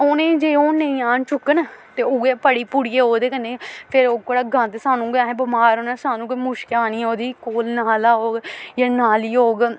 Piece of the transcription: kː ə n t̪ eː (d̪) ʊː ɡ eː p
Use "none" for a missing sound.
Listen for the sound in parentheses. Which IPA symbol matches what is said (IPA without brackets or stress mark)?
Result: none